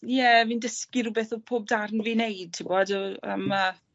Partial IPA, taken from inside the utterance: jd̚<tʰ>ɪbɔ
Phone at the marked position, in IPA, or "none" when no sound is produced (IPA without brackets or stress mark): tʰ